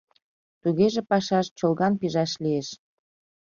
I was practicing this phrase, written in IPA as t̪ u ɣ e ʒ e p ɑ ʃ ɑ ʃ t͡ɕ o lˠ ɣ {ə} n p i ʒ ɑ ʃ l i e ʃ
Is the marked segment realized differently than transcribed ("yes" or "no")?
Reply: yes